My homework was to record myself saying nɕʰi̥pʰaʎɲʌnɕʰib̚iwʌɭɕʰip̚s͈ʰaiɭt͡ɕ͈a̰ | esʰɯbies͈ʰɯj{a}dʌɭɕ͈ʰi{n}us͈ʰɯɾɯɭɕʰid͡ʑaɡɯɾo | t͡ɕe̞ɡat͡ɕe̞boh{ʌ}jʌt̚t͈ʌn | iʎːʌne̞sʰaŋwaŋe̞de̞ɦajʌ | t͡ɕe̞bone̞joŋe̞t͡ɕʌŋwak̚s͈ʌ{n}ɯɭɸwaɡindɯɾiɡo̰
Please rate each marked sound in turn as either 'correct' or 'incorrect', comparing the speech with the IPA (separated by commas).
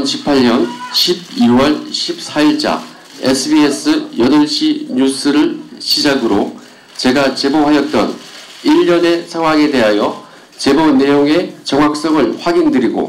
incorrect, incorrect, incorrect, incorrect